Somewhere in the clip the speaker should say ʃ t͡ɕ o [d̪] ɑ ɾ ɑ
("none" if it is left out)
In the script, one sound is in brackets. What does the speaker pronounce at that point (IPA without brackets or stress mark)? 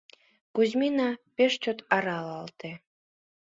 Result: t̪